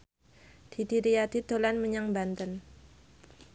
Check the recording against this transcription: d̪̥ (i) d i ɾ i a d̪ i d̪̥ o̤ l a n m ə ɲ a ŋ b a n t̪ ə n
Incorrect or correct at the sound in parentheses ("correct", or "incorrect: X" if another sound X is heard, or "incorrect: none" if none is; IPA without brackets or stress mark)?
correct